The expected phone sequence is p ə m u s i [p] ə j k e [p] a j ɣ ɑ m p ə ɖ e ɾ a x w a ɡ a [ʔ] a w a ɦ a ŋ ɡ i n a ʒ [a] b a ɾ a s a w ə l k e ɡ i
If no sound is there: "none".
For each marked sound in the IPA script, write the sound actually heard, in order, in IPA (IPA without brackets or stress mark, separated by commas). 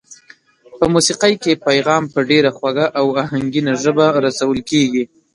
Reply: q, p, ʔ, ə